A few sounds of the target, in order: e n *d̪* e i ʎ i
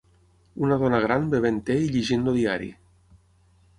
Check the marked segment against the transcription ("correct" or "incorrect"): incorrect